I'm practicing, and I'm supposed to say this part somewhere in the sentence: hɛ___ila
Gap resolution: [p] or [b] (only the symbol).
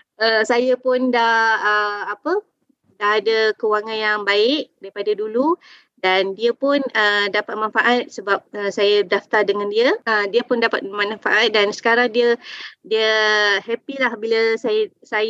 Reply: p